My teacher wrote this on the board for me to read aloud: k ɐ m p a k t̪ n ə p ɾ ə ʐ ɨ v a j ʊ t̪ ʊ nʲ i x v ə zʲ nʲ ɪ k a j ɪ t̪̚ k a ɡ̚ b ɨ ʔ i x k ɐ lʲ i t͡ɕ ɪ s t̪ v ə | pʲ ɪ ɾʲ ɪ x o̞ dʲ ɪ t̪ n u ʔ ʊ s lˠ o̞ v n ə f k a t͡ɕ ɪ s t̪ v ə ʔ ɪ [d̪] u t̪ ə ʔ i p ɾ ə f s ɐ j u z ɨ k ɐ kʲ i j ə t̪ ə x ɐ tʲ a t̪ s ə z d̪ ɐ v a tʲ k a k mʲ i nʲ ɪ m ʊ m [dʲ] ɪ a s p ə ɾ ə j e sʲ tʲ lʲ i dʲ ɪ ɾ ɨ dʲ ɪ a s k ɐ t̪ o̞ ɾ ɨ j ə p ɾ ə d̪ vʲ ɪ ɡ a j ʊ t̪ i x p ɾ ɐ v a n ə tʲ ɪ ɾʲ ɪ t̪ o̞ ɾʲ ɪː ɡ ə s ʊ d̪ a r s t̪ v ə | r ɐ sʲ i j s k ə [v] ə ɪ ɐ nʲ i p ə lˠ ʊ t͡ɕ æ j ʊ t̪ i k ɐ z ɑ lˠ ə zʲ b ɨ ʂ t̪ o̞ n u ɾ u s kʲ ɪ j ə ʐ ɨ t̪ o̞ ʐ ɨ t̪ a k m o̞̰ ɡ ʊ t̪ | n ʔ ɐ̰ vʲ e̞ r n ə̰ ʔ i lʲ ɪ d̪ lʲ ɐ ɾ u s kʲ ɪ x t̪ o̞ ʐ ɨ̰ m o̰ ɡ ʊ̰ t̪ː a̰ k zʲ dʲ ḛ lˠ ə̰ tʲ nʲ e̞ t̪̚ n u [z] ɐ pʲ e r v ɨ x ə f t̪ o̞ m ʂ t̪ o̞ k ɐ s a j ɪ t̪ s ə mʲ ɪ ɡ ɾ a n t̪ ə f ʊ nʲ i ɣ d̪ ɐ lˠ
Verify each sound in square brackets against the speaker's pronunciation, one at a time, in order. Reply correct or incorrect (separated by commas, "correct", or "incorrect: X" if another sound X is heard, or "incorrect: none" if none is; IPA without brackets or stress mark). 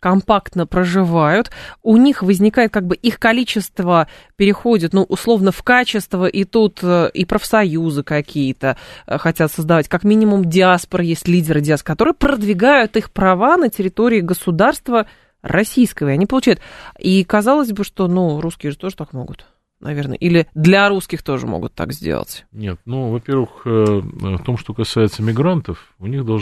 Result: incorrect: t̪, correct, correct, incorrect: v